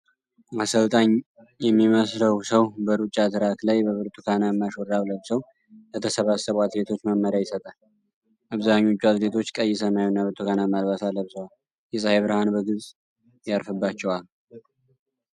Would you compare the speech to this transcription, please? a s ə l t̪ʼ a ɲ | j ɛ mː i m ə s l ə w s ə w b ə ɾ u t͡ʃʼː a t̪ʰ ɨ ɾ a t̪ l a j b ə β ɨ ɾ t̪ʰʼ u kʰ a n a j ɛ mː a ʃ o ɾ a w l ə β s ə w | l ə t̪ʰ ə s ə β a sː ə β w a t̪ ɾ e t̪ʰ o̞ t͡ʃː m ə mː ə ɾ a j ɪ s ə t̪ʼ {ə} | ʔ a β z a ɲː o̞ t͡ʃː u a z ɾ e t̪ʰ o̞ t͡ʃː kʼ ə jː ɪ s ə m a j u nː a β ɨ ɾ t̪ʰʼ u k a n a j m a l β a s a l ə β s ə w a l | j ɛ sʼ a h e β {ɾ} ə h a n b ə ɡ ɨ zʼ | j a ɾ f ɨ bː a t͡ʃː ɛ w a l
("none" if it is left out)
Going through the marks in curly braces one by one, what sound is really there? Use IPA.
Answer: a, ɾ

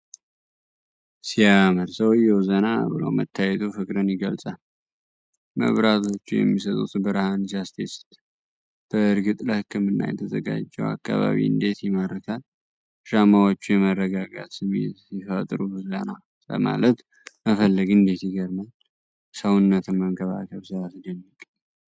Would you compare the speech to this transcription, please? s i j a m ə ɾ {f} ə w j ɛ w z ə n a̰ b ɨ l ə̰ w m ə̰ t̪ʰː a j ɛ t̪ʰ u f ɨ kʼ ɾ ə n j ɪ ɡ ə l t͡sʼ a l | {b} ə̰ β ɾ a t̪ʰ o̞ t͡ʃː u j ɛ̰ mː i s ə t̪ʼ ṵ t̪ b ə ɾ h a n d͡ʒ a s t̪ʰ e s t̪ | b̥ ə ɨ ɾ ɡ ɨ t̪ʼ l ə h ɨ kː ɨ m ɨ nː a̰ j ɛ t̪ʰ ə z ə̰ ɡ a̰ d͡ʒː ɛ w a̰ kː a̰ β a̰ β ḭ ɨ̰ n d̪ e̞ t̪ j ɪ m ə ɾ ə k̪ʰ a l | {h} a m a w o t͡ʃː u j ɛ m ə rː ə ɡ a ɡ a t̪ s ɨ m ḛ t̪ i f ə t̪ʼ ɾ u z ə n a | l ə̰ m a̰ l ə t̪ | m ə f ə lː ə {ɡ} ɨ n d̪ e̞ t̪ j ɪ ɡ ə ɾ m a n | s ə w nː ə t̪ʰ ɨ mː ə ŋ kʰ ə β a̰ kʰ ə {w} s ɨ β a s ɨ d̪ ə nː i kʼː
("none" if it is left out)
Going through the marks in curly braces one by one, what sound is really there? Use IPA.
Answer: s, m, ʃ, ɡ, β

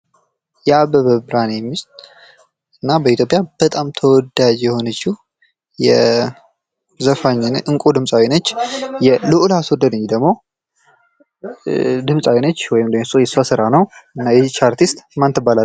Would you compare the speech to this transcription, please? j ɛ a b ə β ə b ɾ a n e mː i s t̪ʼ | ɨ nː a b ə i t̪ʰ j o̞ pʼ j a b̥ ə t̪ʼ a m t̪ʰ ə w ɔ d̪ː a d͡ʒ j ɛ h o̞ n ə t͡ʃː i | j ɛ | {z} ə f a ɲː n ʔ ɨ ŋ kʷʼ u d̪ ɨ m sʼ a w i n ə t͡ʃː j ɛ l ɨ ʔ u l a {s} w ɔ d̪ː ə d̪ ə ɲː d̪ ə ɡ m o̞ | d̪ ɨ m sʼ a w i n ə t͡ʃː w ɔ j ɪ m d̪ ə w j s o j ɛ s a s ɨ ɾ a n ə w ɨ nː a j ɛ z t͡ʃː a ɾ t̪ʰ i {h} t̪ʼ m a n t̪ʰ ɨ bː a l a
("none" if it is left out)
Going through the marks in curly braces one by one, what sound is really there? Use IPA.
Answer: z, s, s

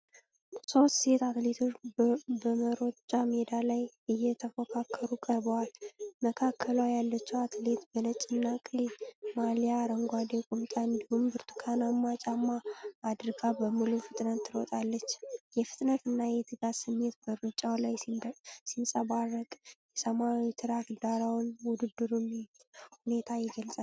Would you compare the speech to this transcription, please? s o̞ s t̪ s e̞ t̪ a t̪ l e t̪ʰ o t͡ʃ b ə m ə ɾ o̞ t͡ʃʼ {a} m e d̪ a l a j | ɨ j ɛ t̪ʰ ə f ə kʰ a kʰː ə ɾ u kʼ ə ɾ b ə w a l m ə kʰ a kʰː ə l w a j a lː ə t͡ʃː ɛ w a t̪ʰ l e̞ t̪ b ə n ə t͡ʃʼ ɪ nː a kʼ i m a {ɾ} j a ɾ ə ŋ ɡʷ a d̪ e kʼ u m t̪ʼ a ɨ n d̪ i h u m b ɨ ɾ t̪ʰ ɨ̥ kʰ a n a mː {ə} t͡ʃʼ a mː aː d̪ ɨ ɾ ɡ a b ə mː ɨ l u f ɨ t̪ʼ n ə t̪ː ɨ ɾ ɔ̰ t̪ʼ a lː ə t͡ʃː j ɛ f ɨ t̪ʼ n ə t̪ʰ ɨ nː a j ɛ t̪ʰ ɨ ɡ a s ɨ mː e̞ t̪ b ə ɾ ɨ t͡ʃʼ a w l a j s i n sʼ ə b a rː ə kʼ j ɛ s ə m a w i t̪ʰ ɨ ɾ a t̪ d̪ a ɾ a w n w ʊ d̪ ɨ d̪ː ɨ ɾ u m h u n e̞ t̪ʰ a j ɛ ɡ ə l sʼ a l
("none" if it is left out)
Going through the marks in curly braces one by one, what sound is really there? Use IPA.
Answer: a, l, a

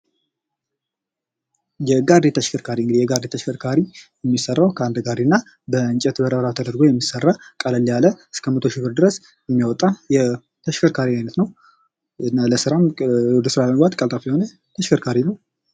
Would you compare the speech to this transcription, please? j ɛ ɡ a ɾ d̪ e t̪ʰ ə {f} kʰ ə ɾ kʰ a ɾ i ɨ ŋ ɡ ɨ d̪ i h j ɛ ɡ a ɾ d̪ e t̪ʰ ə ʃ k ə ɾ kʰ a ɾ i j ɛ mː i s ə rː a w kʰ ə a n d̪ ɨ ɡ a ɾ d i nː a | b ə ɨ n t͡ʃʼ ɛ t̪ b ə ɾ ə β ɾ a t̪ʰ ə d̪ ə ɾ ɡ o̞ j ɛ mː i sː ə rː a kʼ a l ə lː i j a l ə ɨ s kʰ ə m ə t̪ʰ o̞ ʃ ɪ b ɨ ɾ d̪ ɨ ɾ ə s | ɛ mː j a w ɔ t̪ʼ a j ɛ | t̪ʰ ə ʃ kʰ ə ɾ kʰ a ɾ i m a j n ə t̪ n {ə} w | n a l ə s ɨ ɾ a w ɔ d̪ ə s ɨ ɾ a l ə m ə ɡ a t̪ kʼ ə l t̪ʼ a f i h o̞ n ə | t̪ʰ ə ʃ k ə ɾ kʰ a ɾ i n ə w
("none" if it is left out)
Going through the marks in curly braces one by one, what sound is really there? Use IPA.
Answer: ʃ, ə

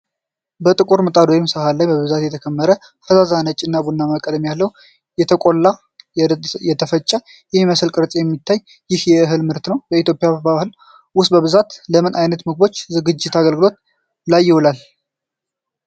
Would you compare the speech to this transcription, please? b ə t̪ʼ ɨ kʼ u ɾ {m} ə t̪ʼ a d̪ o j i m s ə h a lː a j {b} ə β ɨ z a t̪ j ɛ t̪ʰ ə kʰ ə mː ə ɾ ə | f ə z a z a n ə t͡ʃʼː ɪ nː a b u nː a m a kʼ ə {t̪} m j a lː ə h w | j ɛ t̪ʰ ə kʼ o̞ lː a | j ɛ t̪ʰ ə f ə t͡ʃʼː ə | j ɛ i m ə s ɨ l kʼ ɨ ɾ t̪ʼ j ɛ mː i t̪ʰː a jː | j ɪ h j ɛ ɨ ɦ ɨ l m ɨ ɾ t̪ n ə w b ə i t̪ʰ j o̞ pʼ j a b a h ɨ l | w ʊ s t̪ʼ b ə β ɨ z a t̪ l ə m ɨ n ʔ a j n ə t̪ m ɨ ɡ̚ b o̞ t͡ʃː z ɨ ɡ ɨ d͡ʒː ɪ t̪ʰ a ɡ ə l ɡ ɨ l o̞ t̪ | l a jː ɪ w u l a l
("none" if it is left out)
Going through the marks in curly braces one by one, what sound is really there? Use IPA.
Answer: m, b, d̪

